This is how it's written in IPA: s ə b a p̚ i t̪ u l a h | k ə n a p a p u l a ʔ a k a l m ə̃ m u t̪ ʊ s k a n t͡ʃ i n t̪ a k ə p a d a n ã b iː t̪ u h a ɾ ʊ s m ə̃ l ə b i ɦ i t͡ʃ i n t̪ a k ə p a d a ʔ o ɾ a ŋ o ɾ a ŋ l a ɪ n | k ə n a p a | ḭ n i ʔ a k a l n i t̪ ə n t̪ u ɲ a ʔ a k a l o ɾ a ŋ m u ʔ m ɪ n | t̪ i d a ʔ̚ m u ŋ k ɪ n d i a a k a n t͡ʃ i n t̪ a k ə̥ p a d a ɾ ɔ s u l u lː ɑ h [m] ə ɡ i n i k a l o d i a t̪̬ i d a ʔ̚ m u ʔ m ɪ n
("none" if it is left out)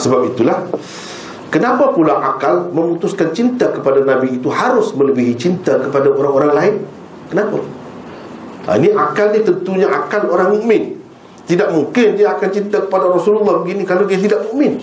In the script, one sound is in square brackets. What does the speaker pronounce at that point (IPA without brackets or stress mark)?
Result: b